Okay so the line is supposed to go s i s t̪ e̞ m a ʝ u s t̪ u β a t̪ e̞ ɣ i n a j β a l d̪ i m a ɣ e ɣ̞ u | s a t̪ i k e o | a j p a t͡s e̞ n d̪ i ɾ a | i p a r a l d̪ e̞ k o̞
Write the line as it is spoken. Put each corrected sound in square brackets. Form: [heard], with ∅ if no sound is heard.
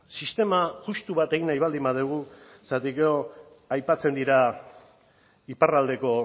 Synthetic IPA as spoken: s i s t̪ e̞ m a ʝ u s t̪ u β a t̪ e̞ ɣ i n a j β a l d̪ i m a [ð] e ɣ̞ u | s a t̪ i k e o | a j p a t͡s e̞ n d̪ i ɾ a | i p a r a l d̪ e̞ k o̞